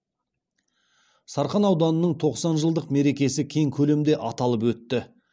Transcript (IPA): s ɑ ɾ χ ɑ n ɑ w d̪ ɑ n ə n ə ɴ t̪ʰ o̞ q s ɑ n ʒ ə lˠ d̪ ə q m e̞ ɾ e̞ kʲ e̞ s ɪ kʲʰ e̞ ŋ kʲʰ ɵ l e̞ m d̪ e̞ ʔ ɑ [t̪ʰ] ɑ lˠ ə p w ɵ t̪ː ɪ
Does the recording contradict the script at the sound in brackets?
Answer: yes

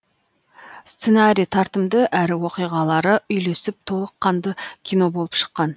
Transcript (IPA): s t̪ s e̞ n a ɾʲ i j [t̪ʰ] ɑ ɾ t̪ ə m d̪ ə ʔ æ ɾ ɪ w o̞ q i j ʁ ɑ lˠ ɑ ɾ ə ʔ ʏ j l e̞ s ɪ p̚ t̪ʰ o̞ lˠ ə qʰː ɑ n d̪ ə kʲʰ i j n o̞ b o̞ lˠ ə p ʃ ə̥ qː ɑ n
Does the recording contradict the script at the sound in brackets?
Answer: no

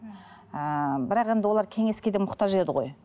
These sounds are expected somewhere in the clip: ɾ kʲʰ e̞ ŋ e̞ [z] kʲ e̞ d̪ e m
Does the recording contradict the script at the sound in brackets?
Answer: yes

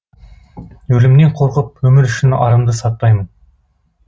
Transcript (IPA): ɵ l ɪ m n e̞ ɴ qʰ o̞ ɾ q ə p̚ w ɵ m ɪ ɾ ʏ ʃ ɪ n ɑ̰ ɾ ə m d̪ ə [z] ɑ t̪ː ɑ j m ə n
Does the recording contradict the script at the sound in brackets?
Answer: yes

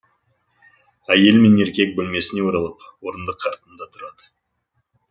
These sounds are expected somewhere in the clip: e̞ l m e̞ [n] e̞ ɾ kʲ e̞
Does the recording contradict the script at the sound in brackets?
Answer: no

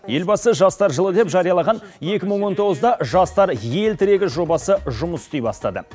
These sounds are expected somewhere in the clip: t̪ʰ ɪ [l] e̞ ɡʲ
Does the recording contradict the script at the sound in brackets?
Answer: yes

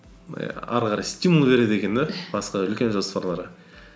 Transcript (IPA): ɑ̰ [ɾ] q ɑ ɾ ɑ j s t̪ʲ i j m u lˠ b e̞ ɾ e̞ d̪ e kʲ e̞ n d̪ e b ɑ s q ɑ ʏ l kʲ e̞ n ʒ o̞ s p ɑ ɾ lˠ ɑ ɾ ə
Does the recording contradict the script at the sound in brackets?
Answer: no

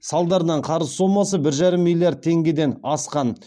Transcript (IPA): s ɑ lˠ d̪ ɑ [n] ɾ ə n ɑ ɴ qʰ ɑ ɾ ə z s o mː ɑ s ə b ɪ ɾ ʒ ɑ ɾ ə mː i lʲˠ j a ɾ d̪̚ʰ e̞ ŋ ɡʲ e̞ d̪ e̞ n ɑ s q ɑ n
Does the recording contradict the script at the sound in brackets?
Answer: yes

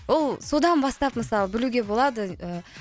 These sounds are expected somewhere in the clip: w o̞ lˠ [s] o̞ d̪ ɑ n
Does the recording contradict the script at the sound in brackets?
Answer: no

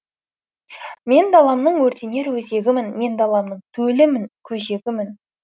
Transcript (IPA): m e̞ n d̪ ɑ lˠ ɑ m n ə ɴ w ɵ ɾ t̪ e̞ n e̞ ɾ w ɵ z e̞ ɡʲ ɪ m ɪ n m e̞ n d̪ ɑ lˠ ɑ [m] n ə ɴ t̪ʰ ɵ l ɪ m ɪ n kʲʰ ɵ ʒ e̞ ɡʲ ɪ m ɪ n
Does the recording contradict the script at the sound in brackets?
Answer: no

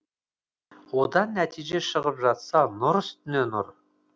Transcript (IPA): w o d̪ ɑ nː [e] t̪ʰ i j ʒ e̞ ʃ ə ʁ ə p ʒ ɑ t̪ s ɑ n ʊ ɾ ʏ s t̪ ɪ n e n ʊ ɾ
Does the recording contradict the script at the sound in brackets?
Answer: yes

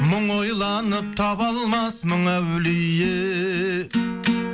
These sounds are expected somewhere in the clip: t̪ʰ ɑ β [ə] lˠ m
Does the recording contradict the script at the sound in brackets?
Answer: yes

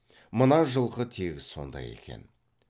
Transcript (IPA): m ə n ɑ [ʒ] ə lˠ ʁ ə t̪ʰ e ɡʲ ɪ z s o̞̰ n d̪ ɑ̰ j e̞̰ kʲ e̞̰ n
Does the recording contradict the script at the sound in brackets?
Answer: no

